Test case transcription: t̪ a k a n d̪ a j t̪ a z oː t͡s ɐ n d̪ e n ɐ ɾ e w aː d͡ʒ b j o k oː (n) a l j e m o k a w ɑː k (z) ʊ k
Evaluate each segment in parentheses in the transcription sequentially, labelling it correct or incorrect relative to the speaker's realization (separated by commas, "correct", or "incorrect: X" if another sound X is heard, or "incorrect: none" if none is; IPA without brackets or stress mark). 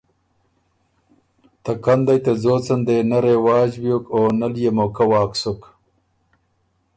correct, incorrect: s